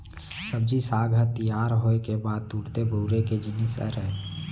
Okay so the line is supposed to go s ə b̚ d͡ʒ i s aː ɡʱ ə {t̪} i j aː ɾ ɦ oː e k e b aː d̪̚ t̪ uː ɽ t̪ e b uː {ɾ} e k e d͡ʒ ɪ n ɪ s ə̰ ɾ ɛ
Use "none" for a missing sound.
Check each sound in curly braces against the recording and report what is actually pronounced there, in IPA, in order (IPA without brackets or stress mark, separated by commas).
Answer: t̪, ɾ